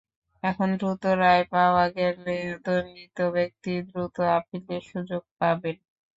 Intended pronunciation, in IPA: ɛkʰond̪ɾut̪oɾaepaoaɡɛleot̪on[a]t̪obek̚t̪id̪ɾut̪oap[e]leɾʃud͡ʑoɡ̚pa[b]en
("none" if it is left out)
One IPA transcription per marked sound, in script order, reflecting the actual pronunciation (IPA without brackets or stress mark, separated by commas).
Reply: i, i, b